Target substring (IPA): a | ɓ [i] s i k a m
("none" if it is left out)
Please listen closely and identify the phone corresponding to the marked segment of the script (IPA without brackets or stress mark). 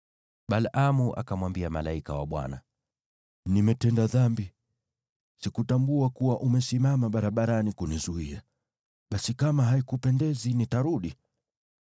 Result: a